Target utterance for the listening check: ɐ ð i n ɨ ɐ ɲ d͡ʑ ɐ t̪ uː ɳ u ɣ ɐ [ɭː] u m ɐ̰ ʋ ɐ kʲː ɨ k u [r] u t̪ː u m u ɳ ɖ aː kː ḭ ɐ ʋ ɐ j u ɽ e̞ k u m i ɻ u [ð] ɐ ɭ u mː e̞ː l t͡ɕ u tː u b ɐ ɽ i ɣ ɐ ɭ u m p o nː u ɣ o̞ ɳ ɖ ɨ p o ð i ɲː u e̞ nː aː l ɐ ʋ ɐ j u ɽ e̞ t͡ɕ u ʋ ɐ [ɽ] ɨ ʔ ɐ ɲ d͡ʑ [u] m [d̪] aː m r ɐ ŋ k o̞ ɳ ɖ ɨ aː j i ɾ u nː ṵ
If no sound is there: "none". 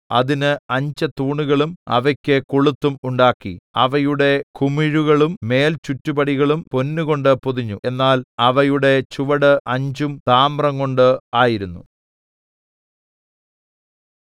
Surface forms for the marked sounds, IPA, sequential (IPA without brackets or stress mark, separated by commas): ɭ, ɭ, ɣ, ɽ, u, t̪